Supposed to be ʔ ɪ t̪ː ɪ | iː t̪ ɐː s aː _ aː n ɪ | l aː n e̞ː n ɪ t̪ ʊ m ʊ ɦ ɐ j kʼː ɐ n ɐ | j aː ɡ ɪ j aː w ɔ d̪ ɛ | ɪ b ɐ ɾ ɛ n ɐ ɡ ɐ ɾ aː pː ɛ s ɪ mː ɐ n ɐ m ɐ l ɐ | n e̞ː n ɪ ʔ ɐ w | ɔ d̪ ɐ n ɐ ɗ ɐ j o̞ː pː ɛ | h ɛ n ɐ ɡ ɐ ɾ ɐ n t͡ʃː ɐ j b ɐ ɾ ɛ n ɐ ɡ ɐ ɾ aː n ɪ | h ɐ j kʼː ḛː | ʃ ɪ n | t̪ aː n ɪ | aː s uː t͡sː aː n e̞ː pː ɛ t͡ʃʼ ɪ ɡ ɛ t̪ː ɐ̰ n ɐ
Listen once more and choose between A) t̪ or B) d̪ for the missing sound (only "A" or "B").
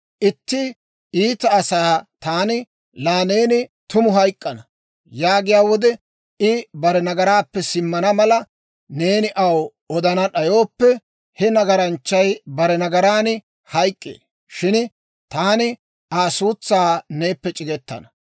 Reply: A